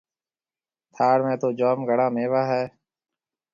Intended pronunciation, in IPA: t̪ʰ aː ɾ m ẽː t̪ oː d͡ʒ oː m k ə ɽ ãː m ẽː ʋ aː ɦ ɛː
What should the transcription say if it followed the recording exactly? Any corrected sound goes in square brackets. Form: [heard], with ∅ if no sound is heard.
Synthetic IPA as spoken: t̪ʰ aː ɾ m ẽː t̪ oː d͡ʒ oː m [ɡ] ə ɽ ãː m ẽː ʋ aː ɦ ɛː

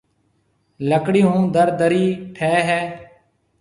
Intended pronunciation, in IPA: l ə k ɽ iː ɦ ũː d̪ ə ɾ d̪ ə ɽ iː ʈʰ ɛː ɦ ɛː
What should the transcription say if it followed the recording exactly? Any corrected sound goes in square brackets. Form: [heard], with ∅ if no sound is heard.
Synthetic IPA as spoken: l ə k ɽ iː ɦ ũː d̪ ə ɾ d̪ ə [ɾ] iː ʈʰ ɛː ɦ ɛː

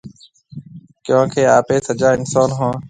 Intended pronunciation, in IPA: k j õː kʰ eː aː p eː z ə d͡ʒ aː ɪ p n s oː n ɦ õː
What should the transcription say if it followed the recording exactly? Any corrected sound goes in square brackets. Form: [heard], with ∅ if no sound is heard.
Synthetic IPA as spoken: k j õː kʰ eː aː p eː [s] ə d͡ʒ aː ɪ [∅] n s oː n ɦ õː

